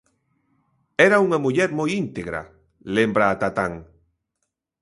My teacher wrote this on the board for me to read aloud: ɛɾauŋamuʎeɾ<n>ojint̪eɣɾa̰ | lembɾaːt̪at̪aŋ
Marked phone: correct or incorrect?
incorrect